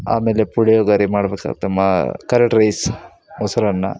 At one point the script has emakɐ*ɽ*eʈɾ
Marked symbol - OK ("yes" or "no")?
no